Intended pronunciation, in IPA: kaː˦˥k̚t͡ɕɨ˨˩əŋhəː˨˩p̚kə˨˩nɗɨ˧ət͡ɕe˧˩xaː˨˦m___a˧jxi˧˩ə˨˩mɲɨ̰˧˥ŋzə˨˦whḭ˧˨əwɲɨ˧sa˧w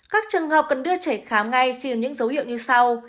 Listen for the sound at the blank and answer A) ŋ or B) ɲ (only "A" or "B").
A